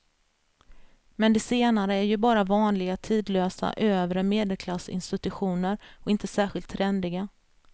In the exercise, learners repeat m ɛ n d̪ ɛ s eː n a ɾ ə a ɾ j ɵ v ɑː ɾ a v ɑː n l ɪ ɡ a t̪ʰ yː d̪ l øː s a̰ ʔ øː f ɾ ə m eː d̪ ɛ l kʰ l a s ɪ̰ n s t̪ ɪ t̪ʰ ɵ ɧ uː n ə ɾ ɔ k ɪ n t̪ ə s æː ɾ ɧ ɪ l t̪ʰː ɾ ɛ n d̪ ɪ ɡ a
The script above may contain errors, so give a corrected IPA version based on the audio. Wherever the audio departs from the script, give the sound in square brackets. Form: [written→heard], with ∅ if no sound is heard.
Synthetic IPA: m ɛ n d̪ ɛ s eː n a ɾ ə [a→æ] ɾ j ɵ [v→b] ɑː ɾ a v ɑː n l ɪ ɡ a t̪ʰ [yː→iː] d̪ l øː s a̰ ʔ øː [f→v] ɾ ə m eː d̪ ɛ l kʰ l a s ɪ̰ n s t̪ ɪ [t̪ʰ→t̪] ɵ ɧ uː n ə ɾ ɔ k ɪ n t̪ ə s æː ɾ ɧ ɪ l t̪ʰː ɾ ɛ n d̪ ɪ ɡ a